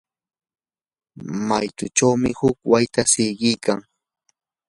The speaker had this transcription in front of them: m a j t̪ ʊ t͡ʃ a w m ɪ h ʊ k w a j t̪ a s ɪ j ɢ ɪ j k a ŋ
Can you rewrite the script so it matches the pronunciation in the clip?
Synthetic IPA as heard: m a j t̪ ʊ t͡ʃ a w m ɪ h ʊ k w a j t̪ a s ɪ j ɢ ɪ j k a ŋ